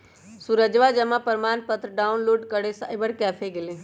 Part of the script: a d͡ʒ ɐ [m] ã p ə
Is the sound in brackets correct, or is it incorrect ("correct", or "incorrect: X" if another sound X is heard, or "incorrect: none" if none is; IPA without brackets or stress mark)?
correct